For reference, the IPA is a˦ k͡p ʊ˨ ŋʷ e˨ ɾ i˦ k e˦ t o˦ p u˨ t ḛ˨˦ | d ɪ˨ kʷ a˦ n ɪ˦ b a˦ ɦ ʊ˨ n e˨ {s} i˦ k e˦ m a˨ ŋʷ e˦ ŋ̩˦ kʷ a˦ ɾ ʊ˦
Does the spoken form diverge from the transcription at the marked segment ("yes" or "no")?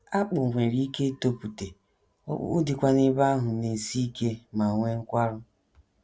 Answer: no